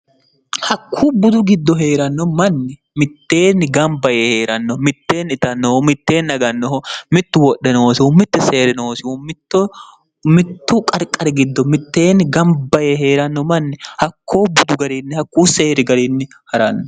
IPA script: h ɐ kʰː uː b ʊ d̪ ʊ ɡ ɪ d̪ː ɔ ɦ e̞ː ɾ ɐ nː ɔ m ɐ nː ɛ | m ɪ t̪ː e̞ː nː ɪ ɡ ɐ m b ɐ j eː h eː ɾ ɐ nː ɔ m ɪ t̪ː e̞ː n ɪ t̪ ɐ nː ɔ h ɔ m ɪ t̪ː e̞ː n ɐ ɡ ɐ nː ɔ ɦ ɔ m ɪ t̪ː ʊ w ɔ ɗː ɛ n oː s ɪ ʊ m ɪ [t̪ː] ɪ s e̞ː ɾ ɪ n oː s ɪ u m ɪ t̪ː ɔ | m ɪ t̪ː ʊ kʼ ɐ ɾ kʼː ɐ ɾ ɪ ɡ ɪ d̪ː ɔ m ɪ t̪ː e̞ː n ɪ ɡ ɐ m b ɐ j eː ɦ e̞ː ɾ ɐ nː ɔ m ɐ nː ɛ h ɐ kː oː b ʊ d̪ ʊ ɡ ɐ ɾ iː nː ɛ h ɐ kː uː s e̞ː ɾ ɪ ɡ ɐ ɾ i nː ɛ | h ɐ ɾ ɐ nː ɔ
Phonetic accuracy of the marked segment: correct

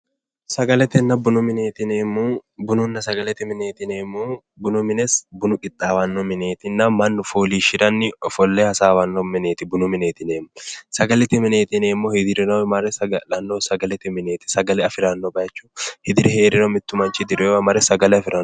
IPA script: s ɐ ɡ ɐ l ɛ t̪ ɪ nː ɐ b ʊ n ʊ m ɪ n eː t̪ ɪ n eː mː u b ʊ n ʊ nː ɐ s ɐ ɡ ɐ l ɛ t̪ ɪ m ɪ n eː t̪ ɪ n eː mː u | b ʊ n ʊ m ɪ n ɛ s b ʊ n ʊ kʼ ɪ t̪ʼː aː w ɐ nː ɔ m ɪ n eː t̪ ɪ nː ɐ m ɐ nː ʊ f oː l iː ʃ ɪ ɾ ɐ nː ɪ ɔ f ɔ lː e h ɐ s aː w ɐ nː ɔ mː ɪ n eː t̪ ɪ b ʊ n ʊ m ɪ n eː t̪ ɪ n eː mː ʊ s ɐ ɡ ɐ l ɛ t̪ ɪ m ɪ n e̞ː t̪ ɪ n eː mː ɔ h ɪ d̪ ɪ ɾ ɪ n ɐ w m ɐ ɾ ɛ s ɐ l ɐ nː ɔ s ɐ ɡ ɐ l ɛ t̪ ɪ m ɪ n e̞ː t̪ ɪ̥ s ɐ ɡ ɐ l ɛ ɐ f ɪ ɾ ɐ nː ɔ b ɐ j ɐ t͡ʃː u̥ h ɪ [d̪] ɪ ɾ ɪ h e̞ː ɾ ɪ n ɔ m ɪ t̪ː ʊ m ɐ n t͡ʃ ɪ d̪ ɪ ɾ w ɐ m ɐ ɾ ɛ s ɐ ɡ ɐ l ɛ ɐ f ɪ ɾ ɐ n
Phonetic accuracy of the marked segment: correct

